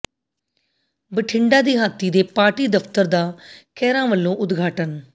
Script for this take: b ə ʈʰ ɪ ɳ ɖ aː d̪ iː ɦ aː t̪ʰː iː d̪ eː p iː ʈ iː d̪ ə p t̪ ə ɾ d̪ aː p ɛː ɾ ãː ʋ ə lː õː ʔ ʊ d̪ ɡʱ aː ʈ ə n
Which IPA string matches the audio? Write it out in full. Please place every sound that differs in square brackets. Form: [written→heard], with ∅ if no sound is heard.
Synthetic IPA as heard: b ə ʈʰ ɪ ɳ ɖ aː d̪ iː ɦ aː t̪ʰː iː d̪ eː p [iː→aː] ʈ iː d̪ ə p t̪ ə ɾ d̪ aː [p→k] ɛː ɾ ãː ʋ ə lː õː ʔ ʊ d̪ ɡʱ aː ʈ ə n